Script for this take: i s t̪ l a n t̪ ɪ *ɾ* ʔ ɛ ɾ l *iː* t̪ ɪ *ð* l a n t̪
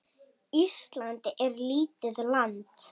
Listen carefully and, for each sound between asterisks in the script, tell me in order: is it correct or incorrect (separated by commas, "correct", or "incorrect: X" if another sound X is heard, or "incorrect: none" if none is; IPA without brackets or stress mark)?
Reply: incorrect: none, correct, correct